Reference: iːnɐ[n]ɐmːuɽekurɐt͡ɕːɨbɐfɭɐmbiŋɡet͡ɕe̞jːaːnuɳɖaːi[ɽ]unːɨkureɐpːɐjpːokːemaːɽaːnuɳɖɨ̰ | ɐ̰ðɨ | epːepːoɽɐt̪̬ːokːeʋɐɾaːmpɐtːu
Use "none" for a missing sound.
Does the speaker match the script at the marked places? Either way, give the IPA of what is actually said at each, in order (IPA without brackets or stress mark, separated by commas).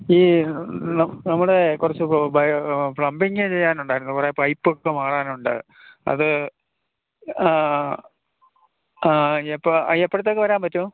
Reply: n, ɾ